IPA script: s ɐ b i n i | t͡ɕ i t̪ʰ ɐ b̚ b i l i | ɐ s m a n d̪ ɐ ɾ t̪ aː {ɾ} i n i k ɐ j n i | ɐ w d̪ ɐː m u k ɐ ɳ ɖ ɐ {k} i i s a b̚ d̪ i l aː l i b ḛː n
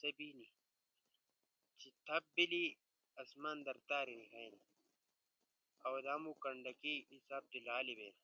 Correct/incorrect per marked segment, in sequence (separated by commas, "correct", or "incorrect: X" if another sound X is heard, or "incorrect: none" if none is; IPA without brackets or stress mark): correct, correct